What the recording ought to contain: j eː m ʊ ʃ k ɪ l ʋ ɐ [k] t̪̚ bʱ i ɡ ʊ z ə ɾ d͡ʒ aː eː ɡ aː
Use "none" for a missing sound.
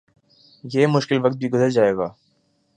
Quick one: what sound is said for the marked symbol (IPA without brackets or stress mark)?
k